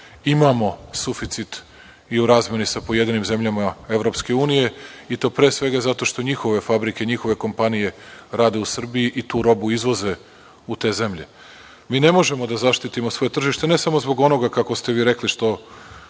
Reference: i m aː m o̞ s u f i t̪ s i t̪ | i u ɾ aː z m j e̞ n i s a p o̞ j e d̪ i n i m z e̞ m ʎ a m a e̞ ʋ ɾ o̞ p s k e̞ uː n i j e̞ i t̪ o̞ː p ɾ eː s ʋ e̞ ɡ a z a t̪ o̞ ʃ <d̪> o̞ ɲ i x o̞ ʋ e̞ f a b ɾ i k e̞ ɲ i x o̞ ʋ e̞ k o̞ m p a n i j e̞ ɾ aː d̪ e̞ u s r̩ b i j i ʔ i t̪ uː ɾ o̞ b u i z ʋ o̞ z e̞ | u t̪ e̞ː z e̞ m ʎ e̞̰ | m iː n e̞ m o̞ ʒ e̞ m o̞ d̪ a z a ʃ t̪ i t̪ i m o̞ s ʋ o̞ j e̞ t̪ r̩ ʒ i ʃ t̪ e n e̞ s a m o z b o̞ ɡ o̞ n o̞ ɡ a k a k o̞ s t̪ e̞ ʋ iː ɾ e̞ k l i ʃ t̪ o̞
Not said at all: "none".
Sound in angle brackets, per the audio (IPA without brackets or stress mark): t̪